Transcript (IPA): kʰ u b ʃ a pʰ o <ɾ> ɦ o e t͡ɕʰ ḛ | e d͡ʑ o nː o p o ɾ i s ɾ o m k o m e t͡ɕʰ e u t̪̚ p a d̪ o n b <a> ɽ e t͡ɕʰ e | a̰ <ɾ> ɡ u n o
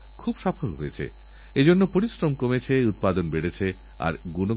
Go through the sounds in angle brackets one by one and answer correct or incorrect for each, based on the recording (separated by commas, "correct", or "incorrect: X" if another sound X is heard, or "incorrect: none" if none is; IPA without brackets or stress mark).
incorrect: l, incorrect: e, correct